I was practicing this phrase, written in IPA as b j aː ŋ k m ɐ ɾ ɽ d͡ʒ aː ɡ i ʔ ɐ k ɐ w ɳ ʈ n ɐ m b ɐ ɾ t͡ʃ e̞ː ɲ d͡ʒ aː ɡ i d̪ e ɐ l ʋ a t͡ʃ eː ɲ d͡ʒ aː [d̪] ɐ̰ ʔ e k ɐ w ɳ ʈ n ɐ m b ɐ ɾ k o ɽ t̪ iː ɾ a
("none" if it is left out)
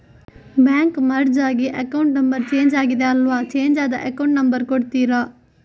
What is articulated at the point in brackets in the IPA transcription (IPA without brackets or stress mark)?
d̪